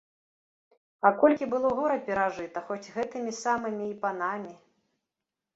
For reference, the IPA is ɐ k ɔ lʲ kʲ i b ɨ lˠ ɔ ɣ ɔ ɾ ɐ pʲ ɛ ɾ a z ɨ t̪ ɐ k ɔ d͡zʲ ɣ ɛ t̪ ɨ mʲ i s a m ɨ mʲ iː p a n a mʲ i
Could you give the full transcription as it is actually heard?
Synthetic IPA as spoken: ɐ k ɔ lʲ kʲ i b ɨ lˠ ɔ ɣ ɔ ɾ ɐ pʲ ɛ ɾ a ʐ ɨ t̪ ɐ x ɔ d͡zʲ ɣ ɛ t̪ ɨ mʲ i s a m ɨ mʲ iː p a n a mʲ i